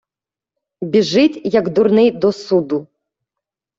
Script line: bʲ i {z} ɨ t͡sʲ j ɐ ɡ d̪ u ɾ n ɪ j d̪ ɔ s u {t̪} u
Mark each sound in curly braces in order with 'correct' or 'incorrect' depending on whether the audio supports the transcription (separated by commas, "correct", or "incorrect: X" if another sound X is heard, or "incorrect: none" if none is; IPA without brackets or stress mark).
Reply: incorrect: ʐ, incorrect: d̪